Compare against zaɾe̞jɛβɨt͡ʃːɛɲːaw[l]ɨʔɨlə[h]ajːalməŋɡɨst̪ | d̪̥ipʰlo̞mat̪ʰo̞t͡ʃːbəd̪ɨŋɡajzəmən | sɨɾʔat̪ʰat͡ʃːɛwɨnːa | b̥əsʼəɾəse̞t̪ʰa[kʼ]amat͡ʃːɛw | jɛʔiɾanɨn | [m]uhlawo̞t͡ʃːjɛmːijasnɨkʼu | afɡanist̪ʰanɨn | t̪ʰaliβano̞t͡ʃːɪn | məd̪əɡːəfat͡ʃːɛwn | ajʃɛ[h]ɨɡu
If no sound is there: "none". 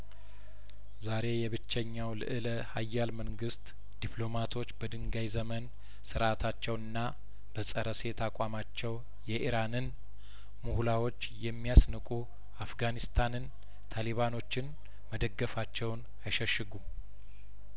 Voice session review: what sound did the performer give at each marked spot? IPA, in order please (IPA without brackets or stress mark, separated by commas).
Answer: l, h, kʼ, m, ʃ